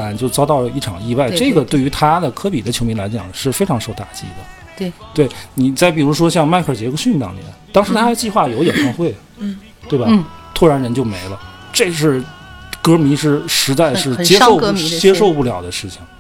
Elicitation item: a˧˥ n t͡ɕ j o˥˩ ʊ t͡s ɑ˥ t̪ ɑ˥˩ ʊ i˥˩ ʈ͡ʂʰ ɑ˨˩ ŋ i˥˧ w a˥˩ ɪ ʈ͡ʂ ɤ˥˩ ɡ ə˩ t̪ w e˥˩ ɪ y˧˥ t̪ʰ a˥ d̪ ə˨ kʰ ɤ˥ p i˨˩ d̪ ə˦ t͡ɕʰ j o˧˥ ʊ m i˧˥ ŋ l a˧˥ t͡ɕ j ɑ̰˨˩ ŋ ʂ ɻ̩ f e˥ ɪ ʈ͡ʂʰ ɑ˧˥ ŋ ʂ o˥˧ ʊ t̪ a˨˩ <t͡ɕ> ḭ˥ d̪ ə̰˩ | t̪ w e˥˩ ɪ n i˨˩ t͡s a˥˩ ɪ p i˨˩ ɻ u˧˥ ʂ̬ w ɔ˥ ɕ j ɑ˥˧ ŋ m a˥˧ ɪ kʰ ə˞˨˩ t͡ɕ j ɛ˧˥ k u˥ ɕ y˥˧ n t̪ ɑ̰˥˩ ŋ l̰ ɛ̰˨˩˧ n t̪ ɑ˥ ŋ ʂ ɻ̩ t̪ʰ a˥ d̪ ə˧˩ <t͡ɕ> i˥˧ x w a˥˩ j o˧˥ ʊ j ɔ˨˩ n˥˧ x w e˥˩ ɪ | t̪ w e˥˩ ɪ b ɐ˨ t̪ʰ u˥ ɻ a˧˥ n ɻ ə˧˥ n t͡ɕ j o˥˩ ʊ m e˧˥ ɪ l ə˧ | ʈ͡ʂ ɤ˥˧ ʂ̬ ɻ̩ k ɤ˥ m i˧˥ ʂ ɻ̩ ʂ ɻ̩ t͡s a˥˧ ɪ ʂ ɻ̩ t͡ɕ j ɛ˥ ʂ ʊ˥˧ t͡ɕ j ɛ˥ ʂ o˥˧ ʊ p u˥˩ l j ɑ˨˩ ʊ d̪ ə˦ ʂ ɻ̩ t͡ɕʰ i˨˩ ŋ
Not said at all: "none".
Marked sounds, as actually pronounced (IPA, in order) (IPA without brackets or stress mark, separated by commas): t͡ɕ, t͡ɕ